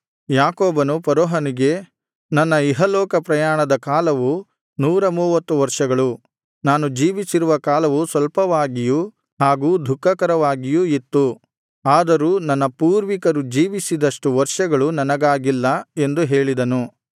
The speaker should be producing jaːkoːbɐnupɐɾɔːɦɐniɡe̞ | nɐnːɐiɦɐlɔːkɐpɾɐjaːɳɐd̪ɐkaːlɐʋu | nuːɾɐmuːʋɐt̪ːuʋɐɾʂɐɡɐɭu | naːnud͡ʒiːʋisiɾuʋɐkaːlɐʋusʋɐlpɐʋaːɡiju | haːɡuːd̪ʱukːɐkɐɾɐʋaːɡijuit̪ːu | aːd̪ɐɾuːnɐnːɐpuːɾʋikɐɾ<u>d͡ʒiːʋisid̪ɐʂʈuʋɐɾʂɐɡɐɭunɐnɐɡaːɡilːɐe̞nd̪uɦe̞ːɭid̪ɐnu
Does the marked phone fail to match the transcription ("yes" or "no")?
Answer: no